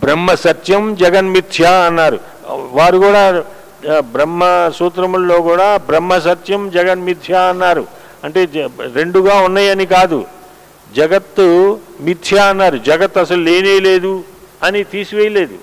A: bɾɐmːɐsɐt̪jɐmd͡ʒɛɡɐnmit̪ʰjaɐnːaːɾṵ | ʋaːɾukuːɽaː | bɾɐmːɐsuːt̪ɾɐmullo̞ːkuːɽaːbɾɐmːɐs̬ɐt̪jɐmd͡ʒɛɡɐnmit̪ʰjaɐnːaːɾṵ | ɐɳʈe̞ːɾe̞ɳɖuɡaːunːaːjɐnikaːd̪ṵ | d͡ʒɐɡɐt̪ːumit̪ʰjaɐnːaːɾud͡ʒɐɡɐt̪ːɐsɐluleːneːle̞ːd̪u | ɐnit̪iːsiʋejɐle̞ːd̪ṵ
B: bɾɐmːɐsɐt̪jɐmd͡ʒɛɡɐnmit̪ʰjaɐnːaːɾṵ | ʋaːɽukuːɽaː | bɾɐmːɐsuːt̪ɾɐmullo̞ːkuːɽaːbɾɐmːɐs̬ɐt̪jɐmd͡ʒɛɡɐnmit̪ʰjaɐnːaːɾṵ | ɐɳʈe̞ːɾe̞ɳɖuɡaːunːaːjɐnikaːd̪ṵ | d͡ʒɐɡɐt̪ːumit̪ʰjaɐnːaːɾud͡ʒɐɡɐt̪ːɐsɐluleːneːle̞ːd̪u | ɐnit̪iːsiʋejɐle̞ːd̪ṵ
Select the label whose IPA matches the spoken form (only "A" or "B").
A